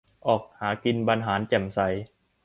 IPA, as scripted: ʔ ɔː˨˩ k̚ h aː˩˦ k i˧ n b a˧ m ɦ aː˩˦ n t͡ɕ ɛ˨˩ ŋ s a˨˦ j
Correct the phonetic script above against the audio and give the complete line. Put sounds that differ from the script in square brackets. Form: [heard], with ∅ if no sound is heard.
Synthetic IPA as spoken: ʔ ɔː˨˩ k̚ h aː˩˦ k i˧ n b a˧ [n] ɦ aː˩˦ n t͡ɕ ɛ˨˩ [m] s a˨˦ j